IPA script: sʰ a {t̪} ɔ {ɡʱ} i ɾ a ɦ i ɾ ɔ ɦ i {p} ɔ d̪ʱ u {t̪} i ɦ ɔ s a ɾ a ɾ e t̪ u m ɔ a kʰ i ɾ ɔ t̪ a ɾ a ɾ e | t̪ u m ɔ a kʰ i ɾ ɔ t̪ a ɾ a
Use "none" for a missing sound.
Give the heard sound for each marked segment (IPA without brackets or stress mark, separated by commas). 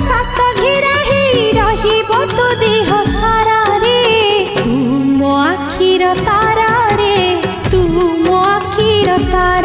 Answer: t̪, ɡʱ, b, d̪